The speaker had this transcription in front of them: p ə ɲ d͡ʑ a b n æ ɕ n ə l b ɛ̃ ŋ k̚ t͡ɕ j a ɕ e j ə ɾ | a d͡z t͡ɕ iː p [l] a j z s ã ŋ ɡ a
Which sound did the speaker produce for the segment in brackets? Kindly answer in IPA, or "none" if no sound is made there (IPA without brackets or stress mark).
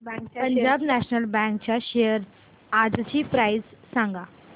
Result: ɾ